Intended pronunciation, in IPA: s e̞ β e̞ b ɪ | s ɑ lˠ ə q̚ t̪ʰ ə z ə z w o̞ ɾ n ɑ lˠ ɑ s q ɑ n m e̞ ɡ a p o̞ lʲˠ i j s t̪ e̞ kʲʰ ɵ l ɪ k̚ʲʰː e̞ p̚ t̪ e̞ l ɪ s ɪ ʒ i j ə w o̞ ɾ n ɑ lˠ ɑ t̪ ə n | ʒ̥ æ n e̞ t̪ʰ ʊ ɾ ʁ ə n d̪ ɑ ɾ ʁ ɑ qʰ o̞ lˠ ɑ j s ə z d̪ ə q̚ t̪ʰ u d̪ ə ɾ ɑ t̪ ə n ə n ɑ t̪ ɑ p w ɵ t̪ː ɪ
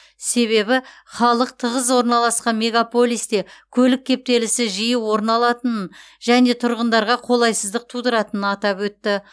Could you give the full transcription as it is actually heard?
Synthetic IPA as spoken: s e̞ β e̞ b ɪ | χ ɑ lˠ ə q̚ t̪ʰ ə ʁ ə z w o̞ ɾ n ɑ lˠ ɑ s q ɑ n m e̞ ɡ a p o̞ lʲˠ i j s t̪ e̞ kʲʰ ɵ l ɪ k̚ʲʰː e̞ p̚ t̪ e̞ l ɪ s ɪ ʒ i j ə w o̞ ɾ n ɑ lˠ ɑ t̪ ə n | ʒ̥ æ n e̞ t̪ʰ ʊ ɾ ʁ ə n d̪ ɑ ɾ ʁ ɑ qʰ o̞ lˠ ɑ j s ə z d̪ ə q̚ t̪ʰ u d̪ ə ɾ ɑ t̪ ə n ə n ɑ t̪ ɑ p w ɵ t̪ː ɪ

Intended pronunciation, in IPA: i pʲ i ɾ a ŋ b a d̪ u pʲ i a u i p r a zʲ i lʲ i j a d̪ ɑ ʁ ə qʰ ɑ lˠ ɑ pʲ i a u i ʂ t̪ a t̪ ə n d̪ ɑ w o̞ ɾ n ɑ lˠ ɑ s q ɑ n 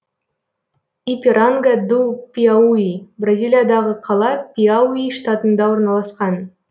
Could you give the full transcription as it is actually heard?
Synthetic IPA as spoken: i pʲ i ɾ a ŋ ɡ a d̪ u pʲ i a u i b r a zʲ i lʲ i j a d̪ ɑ ʁ ə qʰ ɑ lˠ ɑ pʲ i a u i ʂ t̪ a t̪ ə n d̪ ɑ w o̞ ɾ n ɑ lˠ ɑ s q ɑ n

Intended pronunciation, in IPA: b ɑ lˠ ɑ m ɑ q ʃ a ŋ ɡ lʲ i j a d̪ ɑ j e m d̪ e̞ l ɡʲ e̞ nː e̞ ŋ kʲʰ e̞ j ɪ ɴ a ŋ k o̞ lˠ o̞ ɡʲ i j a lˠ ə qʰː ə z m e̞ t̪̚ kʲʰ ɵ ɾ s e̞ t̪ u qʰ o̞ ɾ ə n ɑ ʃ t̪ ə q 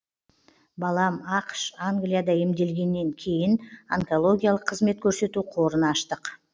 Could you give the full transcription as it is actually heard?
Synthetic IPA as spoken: b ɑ lˠ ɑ m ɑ q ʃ a ŋ ɡ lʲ i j a d̪ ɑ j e m d̪ e̞ l ɡʲ e̞ nː e̞ ŋ kʲʰ e̞ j ɪ n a ŋ k o̞ lˠ o̞ ɡʲ i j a lˠ ə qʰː ə z m e̞ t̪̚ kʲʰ ɵ ɾ s e̞ t̪ u qʰ o̞ ɾ ə n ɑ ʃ t̪ ə q

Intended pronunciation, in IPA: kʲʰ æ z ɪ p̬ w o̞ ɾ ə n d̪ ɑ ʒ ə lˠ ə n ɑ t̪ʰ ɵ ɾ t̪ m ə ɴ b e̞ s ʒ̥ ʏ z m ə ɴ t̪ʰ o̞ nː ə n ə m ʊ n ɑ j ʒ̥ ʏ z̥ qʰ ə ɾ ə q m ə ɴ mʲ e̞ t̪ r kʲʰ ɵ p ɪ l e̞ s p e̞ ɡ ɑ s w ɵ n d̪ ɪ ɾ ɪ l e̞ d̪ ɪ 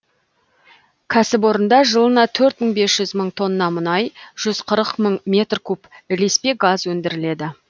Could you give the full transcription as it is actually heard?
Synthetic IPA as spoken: kʲʰ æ s ɪ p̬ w o̞ ɾ ə n d̪ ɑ ʒ ə lˠ ə n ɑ t̪ʰ ɵ ɾ t̪ m ə ɴ b e̞ s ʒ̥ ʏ z m ə ɴ t̪ʰ o̞ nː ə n ɑ m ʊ n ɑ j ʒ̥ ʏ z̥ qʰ ə ɾ ə q m ə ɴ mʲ e̞ t̪ r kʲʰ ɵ p ɪ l e̞ s p e̞ ɡ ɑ z w ɵ n d̪ ɪ ɾ ɪ l e̞ d̪ ɪ

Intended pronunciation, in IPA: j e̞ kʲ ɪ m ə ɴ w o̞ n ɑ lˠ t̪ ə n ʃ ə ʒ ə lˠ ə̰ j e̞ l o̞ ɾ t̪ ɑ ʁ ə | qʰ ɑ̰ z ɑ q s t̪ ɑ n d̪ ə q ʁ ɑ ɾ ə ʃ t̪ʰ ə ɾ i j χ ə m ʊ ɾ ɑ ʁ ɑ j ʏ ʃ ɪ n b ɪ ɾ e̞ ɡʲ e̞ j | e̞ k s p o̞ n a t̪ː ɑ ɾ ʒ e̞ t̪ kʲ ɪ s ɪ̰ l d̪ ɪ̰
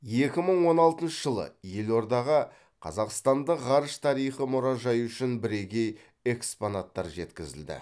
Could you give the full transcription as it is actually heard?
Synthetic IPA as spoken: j e̞ kʲ ɪ m ə ɴ w o̞ n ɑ lˠ t̪ ə n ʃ ə ʒ ə lˠ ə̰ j e̞ l o̞ ɾ d̪ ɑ ʁ ə | qʰ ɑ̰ z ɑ q s t̪ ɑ n d̪ ə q ʁ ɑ ɾ ə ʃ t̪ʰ ɑ ɾ i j χ ə m ʊ ɾ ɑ ʒ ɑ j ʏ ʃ ɪ n b ɪ ɾ e̞ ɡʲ e̞ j | e̞ k s p o̞ n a t̪ː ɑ ɾ ʒ e̞ t̪ kʲ ɪ z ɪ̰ l d̪ ɪ̰

